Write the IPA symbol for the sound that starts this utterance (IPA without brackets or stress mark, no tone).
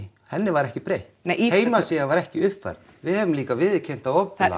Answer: h